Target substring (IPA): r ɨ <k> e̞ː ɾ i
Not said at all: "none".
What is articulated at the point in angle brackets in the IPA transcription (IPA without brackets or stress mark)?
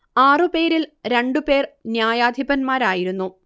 p